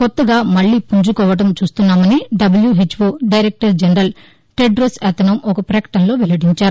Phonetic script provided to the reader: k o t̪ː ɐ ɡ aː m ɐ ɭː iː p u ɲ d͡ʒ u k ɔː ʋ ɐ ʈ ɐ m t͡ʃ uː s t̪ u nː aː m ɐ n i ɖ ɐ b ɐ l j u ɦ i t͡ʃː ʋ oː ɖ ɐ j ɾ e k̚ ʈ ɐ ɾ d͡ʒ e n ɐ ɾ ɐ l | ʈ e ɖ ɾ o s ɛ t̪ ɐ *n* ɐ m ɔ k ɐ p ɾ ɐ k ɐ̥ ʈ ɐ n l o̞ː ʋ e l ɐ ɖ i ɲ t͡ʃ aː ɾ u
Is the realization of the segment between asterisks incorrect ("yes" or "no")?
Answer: no